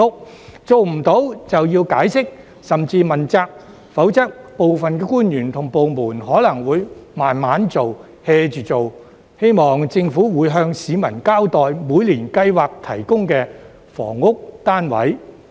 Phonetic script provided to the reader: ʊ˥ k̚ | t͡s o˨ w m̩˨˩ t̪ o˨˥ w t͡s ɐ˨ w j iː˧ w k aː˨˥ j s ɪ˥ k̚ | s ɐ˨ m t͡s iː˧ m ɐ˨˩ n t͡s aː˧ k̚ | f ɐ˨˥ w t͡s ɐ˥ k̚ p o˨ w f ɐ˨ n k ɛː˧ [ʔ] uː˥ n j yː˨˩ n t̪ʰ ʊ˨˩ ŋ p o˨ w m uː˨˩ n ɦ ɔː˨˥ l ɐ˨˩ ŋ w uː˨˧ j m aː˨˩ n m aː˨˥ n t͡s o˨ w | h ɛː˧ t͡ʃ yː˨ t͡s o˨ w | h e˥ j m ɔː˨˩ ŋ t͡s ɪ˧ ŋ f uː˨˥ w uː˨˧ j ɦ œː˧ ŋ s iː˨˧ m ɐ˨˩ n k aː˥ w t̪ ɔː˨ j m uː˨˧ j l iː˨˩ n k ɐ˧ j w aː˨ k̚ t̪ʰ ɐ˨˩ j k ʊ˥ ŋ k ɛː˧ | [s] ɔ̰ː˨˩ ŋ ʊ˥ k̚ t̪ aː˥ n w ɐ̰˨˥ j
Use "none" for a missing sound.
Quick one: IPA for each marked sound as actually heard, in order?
k, f

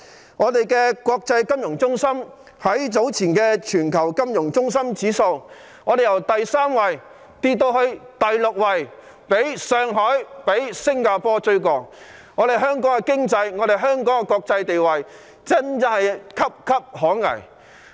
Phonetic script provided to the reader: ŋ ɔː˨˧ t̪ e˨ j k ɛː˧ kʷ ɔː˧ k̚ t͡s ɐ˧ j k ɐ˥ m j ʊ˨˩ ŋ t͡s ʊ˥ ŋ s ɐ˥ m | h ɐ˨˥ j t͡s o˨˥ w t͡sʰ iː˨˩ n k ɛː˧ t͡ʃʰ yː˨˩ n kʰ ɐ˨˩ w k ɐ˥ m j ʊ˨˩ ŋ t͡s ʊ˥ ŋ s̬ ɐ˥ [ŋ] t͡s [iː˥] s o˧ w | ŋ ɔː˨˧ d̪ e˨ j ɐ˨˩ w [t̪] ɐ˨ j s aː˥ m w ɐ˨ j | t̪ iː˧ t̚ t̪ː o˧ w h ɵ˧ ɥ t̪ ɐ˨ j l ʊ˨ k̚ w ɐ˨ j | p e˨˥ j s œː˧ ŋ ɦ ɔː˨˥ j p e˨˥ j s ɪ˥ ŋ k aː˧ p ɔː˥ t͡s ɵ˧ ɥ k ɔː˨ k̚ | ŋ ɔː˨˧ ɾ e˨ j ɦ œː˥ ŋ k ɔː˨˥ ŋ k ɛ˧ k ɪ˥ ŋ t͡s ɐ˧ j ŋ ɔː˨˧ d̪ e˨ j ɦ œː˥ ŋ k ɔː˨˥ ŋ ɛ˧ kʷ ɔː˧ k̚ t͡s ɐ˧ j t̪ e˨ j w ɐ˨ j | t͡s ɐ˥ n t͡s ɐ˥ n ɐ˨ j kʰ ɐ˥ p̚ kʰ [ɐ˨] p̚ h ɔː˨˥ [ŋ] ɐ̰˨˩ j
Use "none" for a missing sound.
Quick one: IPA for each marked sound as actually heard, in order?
m, iː˨˥, t̪, ɐ˥, ŋ

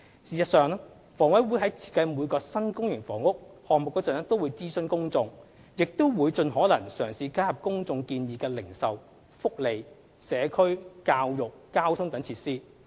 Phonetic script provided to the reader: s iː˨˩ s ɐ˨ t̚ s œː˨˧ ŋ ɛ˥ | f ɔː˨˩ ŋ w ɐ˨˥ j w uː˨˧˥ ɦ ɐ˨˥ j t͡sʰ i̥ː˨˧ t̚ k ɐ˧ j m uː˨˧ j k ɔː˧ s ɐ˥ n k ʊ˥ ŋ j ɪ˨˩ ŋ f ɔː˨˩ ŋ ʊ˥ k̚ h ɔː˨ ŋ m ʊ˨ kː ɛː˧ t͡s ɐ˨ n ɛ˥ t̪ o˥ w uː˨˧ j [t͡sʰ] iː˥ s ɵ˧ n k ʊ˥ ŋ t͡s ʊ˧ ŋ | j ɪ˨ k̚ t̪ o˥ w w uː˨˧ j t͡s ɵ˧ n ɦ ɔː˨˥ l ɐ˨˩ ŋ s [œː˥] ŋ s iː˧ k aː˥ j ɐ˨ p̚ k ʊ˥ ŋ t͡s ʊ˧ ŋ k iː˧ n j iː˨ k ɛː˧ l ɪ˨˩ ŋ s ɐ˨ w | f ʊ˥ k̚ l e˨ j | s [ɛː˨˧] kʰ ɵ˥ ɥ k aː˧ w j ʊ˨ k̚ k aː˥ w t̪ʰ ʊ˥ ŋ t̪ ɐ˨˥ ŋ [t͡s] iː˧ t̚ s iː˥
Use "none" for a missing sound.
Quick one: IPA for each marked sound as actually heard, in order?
t͡s, œː˨˩, ɛː˨˧, t͡sʰ

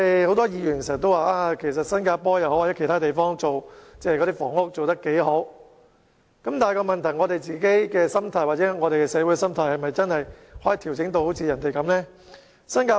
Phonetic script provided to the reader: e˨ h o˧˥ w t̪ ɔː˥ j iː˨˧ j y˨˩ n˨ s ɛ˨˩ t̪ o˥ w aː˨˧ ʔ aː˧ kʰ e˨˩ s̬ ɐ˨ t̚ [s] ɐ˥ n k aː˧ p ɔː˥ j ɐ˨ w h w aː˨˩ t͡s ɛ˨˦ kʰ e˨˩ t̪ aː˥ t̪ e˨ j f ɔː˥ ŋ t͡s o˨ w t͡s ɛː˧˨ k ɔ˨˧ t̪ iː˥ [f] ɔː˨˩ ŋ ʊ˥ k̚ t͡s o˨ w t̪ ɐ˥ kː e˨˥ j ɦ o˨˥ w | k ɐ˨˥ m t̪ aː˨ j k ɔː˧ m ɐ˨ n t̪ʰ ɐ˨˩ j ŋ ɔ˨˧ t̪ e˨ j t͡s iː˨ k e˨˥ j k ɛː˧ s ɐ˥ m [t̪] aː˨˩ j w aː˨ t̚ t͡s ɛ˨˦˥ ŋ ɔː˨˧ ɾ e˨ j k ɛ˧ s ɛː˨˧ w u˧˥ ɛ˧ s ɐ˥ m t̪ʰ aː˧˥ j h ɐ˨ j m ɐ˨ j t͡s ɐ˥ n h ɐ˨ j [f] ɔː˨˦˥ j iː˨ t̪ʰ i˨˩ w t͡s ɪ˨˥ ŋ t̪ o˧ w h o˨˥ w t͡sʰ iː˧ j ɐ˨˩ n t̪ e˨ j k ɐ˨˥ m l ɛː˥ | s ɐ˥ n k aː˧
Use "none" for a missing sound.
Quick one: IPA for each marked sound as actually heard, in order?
s, f, t̪ʰ, h

